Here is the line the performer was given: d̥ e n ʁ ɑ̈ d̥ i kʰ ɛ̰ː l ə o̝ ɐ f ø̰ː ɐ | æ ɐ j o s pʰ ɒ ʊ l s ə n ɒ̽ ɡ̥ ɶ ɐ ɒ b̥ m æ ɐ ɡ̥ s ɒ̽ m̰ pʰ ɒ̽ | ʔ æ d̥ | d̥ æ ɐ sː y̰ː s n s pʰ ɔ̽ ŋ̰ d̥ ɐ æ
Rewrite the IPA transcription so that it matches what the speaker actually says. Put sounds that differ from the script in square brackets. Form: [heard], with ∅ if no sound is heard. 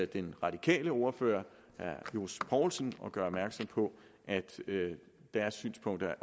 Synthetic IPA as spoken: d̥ e n ʁ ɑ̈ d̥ i kʰ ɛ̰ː l ə o̝ ɐ f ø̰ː ɐ | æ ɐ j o s pʰ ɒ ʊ l s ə n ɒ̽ ɡ̥ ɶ ɐ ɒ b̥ m æ ɐ ɡ̥ s ɒ̽ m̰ pʰ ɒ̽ | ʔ æ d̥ | d̥ æ ɐ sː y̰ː [∅] n s pʰ ɔ̽ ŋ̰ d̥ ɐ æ

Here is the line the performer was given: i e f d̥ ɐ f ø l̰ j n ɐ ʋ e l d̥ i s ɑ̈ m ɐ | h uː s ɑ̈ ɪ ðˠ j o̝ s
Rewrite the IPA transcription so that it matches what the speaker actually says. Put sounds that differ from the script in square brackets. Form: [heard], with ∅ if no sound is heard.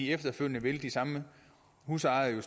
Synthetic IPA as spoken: i e f d̥ ɐ f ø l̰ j n [ə] ʋ e l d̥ i s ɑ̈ m [ə] | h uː s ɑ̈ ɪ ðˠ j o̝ s

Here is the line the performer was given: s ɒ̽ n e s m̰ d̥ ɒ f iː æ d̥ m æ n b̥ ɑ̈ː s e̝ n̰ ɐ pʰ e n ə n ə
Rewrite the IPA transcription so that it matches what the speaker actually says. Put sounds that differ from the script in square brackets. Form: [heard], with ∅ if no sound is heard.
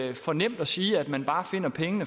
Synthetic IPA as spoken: [f] ɒ̽ n e [∅] m̰ d̥ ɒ [s] iː æ d̥ m æ n b̥ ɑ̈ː [f] e̝ n̰ ɐ pʰ e [ŋ] ə n ə

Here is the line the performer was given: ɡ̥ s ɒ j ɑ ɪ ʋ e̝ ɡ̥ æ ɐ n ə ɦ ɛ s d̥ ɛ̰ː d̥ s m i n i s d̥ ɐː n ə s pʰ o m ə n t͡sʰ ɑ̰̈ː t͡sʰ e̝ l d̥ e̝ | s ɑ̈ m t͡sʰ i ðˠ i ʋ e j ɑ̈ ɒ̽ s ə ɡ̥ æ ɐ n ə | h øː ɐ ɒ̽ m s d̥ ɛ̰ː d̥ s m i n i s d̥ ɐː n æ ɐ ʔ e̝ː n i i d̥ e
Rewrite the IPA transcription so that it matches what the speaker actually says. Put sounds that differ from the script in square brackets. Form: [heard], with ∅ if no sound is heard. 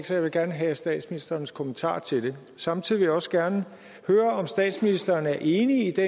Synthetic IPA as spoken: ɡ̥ s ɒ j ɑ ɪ ʋ e̝ ɡ̥ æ ɐ n ə ɦ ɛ s d̥ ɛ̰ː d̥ s m i n i s d̥ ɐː n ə s [kʰ] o m ə n t͡sʰ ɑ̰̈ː t͡sʰ e̝ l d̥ e̝ | s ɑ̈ m t͡sʰ i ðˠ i ʋ e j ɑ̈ ɒ̽ s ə ɡ̥ æ ɐ n ə | h øː ɐ ɒ̽ m s d̥ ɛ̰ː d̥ s m i n i s d̥ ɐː n æ ɐ ʔ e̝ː n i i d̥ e

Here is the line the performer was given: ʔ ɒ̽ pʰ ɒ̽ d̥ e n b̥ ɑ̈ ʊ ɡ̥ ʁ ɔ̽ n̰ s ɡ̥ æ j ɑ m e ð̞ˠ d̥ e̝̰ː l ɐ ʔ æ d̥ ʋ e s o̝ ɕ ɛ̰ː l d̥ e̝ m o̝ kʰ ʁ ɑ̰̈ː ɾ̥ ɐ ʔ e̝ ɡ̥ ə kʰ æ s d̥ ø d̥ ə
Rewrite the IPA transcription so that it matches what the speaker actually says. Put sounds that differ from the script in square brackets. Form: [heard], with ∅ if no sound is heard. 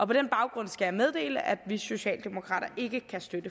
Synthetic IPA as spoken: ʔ ɒ̽ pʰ ɒ̽ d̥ e n b̥ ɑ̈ ʊ ɡ̥ ʁ ɔ̽ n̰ s ɡ̥ æ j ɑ m e ð̞ˠ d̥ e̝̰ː l [ə] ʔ æ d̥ ʋ [i] s o̝ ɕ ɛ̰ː l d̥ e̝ m o̝ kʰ ʁ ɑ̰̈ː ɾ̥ ɐ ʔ e̝ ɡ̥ ə kʰ æ s d̥ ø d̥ ə

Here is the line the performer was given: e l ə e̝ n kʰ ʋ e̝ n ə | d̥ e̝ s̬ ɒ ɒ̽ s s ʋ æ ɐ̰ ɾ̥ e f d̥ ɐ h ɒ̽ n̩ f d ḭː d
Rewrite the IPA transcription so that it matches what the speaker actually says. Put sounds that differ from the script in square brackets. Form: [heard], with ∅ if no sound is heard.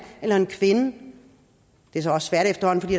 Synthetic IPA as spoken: e l [ɐ] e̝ n kʰ ʋ e̝ n ə | d̥ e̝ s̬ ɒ ɒ̽ s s ʋ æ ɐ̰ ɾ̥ e f d̥ ɐ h ɒ̽ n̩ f d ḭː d

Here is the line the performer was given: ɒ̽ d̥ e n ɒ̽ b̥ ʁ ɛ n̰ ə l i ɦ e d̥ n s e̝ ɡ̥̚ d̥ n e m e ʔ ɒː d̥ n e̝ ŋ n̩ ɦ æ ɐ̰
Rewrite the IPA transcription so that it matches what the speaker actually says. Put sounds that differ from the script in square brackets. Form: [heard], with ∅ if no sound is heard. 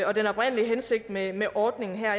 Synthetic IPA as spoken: ɒ̽ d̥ e n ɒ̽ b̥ ʁ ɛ n̰ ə l i ɦ e [∅] n s e̝ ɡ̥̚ d̥ [m] e m e ʔ ɒː d̥ n e̝ ŋ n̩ ɦ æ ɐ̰

